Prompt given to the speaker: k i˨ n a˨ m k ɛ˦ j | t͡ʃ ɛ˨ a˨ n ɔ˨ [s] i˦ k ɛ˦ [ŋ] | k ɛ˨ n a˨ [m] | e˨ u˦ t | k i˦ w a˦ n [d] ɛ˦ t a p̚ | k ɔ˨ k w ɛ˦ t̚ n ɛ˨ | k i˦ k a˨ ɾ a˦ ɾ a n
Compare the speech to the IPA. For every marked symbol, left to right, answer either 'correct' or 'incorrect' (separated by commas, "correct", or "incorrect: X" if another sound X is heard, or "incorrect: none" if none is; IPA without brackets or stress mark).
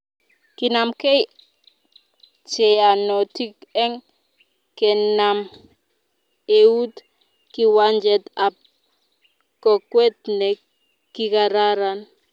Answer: incorrect: t, correct, correct, incorrect: d͡ʒ